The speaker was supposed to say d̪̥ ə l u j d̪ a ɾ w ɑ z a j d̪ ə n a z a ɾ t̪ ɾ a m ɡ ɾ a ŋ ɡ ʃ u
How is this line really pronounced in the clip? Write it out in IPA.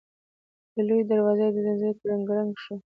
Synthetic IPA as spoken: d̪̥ ə l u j d̪ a ɾ w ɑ z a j d̪ ə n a z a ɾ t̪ ɾ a ŋ ɡ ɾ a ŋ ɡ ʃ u